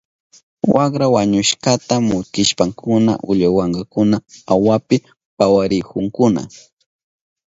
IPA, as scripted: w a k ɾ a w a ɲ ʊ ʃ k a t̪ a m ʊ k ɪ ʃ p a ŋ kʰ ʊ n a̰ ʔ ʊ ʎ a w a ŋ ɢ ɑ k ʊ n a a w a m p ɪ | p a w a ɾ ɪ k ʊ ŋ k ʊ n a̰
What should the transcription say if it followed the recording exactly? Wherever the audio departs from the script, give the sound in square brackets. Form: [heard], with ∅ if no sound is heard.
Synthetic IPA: w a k ɾ a w a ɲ ʊ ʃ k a t̪ a m ʊ k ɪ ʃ p a ŋ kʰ ʊ n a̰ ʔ ʊ ʎ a w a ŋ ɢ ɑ k ʊ n a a w a [∅] p ɪ | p a w a ɾ ɪ k ʊ ŋ k ʊ n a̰